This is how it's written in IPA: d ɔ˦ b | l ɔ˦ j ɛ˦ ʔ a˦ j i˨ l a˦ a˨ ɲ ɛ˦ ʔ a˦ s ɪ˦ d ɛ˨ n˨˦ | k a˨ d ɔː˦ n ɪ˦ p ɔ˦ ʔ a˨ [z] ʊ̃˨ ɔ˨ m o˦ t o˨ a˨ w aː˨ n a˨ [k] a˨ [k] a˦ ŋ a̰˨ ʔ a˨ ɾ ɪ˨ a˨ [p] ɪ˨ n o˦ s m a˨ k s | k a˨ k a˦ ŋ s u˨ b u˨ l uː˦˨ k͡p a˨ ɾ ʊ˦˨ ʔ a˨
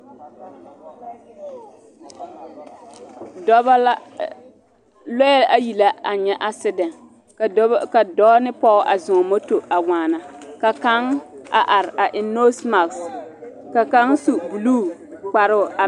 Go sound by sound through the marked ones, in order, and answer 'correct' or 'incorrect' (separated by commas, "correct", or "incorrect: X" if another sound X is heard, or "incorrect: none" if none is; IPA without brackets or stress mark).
correct, correct, correct, incorrect: ʔ